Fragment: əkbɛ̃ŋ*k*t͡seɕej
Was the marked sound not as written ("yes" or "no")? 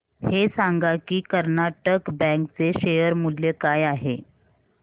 no